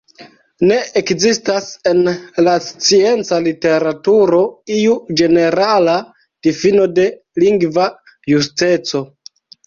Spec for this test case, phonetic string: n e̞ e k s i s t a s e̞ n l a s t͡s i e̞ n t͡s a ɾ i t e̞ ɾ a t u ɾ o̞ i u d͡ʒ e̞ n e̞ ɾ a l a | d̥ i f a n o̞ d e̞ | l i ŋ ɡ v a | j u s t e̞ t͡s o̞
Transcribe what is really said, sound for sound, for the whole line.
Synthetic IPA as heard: n e̞ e k z i s t a s e̞ n l a s t͡s i e̞ n t͡s a l i t e̞ ɾ a t u ɾ o̞ i u d͡ʒ e̞ n e̞ ɾ a l a | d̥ i f i n o̞ d e̞ | l i ŋ ɡ v a | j u s t e̞ t͡s o̞